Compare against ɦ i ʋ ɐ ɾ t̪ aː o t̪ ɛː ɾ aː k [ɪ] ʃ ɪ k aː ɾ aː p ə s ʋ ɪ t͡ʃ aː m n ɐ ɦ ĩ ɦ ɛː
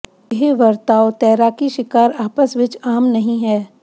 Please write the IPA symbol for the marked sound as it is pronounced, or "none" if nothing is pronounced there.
i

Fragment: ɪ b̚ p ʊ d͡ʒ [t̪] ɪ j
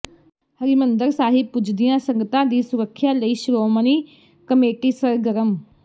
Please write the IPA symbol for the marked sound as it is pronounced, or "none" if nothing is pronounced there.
d̪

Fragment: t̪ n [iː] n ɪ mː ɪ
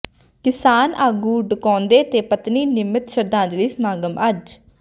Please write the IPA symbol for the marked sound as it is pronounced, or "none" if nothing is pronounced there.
iː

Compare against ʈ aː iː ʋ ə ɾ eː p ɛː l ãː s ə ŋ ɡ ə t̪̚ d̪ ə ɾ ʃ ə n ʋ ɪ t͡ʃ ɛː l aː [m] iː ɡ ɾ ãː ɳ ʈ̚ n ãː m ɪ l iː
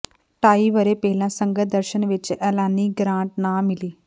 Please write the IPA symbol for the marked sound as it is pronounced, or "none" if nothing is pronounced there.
n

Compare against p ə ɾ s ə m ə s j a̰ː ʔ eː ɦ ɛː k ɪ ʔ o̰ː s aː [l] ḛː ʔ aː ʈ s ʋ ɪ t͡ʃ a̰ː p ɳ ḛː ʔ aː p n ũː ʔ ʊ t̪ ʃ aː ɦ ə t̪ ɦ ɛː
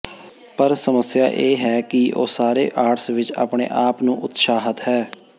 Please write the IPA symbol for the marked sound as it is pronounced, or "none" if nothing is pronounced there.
ɾ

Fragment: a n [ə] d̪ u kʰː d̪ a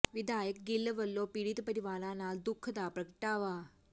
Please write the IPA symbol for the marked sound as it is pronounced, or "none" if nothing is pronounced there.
a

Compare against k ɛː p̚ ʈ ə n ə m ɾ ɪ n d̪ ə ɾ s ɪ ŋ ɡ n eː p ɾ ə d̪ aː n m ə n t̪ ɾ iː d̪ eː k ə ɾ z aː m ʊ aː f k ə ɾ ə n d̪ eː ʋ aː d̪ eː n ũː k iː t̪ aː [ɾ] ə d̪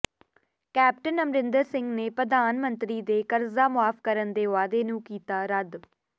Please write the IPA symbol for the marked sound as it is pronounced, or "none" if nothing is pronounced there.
ɾ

